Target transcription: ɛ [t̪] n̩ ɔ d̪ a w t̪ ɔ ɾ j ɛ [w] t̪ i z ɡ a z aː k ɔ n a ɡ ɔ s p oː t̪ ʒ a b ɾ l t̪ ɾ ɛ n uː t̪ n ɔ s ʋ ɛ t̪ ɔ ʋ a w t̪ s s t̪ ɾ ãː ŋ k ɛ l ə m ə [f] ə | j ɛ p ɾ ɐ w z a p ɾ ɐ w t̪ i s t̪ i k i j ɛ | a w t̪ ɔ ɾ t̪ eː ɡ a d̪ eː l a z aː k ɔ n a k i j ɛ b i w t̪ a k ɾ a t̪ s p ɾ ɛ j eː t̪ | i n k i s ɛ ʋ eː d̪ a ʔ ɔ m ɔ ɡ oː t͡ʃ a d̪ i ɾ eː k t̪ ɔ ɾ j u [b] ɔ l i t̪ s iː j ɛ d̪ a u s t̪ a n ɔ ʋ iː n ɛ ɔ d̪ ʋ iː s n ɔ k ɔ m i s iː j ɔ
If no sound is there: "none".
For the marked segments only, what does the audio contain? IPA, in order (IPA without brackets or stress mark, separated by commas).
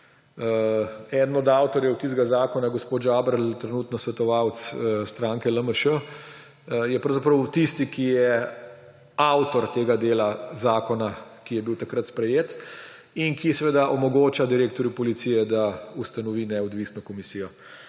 d̪, w, ʃ, p